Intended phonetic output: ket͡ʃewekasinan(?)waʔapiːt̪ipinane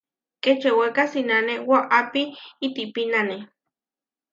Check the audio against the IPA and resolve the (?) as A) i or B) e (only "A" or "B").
B